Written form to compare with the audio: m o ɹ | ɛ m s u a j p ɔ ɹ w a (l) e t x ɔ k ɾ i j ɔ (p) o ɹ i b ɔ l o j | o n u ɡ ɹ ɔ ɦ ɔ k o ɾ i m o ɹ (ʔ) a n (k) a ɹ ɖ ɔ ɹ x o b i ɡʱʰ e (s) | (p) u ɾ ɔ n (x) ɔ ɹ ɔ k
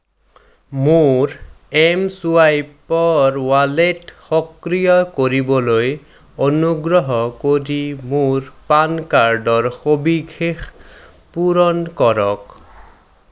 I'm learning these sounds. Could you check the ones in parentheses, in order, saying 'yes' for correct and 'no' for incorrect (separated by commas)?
yes, no, no, yes, no, yes, no